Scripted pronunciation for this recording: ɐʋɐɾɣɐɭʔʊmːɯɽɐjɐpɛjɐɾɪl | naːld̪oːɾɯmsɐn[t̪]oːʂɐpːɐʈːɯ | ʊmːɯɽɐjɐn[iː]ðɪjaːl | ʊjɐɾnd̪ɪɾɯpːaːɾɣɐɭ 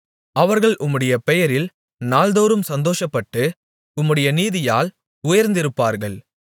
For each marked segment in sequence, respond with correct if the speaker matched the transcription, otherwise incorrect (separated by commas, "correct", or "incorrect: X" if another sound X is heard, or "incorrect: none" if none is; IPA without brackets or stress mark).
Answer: incorrect: d̪, correct